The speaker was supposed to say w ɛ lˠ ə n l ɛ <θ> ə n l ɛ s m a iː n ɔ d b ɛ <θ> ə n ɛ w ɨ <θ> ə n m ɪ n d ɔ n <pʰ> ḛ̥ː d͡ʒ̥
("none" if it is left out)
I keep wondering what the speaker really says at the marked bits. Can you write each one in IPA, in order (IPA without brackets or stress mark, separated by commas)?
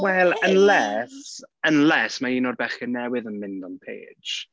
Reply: s, χ, ð, pʰ